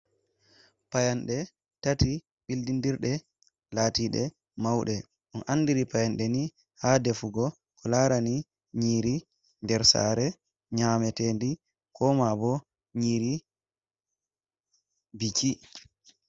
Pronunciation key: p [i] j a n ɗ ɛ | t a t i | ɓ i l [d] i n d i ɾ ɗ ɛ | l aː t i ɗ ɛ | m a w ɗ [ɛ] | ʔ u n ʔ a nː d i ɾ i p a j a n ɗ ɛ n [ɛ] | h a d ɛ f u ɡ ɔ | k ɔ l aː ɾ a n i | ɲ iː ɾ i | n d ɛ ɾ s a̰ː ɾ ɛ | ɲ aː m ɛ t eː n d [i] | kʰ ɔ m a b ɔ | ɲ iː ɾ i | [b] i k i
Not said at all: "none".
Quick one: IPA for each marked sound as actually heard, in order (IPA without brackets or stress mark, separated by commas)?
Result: a, d, ɛ, i, i, b